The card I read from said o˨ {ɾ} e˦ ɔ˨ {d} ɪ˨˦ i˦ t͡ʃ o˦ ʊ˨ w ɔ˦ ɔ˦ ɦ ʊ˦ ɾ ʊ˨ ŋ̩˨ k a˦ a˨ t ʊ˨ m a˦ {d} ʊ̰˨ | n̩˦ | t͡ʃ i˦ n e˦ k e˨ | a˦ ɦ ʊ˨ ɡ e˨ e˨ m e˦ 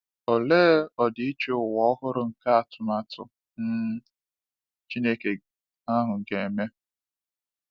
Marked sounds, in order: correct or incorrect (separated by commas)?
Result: incorrect, correct, incorrect